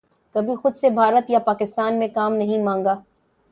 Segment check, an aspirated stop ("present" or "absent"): absent